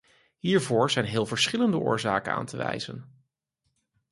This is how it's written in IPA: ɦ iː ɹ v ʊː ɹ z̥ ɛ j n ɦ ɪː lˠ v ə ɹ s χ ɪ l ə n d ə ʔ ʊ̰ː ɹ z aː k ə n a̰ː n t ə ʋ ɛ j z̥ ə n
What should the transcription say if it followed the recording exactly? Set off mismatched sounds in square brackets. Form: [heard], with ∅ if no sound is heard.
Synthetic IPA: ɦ iː ɹ v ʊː ɹ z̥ ɛ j n ɦ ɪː lˠ v ə ɹ s χ ɪ l ə n d ə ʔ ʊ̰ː ɹ z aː k ə n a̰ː n t ə ʋ ɛ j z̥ ə n